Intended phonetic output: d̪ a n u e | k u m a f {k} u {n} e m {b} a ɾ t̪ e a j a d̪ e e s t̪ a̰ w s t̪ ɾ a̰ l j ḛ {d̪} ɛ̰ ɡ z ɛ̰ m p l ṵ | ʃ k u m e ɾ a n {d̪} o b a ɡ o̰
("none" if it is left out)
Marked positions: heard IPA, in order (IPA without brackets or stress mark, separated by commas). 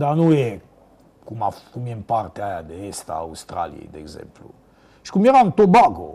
k, m, p, d̪, t̪